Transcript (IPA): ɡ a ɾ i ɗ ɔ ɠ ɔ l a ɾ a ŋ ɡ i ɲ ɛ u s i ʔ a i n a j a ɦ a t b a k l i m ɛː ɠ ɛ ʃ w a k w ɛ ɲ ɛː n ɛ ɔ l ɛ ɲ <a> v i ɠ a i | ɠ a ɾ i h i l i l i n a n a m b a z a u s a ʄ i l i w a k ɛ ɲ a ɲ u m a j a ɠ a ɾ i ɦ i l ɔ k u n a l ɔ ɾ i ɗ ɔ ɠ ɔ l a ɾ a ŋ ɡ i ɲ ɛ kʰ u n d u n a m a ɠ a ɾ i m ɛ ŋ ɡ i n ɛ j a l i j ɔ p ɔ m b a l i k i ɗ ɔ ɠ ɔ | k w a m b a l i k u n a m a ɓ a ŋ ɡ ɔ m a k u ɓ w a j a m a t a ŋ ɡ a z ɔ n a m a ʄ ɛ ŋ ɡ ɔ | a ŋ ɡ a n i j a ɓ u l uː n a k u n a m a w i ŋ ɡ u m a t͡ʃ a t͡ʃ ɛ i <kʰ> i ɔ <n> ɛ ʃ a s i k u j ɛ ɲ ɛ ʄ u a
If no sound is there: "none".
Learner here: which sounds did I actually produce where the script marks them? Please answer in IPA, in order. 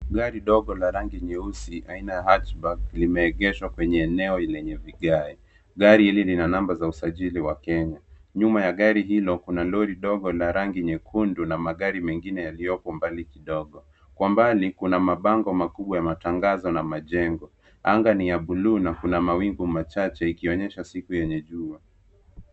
ɛ, k, ɲ

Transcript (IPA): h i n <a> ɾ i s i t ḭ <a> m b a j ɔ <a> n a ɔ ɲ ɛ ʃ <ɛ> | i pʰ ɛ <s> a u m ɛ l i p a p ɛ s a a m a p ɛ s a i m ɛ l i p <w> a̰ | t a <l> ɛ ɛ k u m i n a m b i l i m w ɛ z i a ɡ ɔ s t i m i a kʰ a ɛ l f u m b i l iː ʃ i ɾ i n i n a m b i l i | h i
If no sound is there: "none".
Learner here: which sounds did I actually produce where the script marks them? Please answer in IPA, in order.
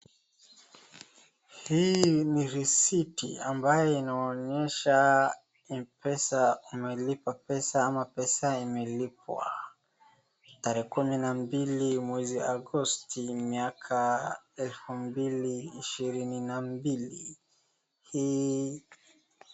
i, a, i, a, s, w, ɾ

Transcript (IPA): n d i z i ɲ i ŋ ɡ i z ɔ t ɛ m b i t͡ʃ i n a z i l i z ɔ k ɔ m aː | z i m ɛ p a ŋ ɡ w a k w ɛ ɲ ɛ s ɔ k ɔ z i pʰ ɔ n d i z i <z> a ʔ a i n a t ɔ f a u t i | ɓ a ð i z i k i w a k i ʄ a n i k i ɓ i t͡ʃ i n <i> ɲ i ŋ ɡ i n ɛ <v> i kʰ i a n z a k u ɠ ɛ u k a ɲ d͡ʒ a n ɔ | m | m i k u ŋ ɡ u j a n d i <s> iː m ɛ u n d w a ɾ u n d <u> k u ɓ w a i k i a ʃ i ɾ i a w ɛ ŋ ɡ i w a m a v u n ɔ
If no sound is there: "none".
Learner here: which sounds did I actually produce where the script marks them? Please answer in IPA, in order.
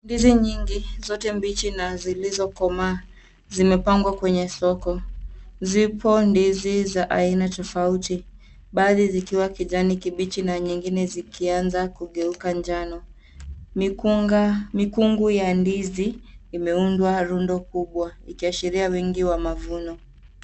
z, a, z, z, ɔ

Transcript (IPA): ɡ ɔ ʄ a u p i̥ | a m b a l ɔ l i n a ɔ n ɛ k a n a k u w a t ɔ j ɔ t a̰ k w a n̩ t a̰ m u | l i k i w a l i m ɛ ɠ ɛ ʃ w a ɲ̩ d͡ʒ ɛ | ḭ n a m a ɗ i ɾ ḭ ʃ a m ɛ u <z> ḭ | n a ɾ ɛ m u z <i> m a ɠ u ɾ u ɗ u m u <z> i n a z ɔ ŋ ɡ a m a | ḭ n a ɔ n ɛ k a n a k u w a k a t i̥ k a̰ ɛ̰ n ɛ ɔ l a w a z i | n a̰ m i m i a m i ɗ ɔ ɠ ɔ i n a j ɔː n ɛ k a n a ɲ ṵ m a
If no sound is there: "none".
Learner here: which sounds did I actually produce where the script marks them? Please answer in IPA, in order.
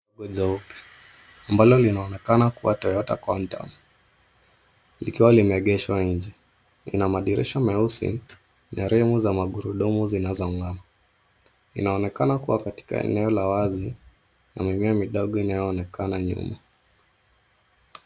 s, a, z

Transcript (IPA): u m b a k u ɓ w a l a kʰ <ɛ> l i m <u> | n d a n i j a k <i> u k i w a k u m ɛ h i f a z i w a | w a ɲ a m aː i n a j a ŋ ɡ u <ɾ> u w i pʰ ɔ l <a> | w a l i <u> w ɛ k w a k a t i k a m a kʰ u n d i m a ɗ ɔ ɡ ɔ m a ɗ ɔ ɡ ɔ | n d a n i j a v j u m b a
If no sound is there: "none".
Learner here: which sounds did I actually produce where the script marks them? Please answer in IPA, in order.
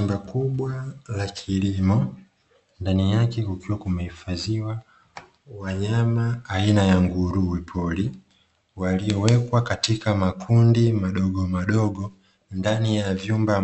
i, ɔ, ɛ, ɾ, i, ɔ

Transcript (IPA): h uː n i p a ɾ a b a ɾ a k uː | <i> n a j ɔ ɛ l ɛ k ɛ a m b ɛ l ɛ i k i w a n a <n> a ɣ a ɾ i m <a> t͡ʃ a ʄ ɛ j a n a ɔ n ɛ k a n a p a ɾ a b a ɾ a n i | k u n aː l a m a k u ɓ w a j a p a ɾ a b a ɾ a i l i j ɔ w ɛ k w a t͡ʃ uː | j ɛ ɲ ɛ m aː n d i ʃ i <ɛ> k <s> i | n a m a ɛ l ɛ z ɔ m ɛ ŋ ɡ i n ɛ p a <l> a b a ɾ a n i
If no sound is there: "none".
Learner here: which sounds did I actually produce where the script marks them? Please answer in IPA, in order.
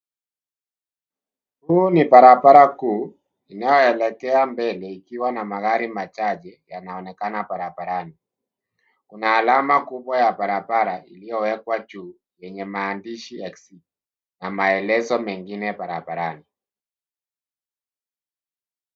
i, m, a, ɛ, s, ɾ

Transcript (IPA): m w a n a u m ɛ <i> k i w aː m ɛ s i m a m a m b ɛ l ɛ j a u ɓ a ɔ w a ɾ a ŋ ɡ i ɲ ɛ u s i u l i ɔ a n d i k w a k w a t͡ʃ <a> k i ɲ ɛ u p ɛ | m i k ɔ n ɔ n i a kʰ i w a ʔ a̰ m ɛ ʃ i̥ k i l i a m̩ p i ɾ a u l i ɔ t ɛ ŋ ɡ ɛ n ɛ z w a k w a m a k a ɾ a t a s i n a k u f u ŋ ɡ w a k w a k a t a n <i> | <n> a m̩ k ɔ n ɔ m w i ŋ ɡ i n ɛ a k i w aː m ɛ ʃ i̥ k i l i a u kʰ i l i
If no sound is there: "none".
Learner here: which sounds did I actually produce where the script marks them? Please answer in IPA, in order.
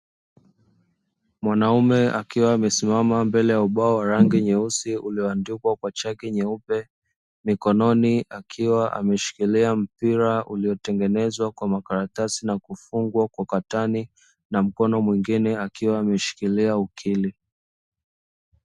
a, a, i, n

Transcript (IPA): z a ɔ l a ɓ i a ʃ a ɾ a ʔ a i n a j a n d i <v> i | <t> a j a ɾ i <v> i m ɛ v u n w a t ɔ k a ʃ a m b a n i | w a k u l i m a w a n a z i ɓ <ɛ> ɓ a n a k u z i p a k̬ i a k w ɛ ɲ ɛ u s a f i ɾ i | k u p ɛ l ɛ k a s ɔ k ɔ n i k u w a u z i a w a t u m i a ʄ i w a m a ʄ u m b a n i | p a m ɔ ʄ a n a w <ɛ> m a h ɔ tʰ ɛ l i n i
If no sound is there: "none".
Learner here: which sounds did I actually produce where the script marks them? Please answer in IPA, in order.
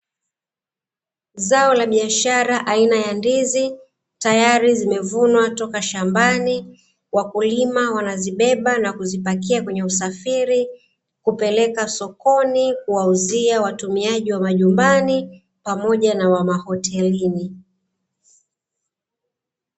z, t, z, ɛ, a

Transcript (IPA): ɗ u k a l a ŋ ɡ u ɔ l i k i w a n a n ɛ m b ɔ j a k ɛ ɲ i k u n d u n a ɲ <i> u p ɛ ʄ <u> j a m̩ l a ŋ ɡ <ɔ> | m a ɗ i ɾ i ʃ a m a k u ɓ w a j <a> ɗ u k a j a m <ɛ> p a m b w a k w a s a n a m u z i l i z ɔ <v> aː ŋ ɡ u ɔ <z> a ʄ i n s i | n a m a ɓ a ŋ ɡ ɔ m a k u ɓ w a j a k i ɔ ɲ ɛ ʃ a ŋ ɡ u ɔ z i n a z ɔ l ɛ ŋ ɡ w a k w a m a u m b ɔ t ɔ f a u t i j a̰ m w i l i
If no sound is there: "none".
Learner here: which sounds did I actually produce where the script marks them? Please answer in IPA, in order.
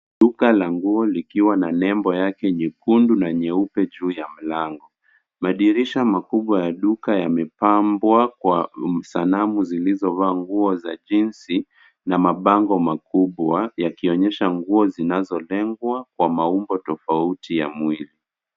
ɛ, uː, ɔ, a, ɛ, v, z

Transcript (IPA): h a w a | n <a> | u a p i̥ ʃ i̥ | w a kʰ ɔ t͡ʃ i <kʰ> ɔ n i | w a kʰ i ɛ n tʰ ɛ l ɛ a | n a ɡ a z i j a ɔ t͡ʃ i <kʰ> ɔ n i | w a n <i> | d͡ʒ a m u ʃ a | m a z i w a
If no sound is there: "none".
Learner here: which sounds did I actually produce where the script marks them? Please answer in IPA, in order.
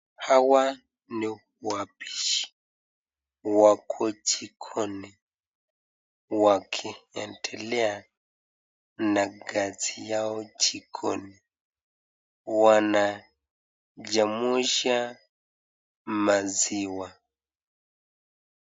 i, kʰ, kʰ, a

